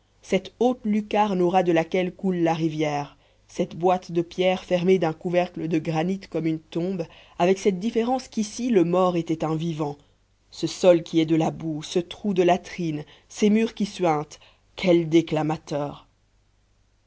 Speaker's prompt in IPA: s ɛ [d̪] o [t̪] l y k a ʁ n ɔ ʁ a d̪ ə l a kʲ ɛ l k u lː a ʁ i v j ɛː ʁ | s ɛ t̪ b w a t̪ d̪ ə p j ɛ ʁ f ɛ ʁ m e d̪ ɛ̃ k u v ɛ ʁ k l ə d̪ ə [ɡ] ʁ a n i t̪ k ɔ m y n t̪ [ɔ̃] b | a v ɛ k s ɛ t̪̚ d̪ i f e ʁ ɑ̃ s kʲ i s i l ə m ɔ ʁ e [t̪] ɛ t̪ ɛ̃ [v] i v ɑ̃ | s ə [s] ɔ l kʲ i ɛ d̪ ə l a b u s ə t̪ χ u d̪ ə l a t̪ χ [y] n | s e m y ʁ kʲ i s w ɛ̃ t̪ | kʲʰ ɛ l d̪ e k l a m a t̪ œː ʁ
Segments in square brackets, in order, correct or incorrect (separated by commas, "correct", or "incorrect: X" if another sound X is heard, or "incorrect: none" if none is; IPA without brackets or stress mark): incorrect: t̪, correct, correct, correct, correct, correct, correct, incorrect: i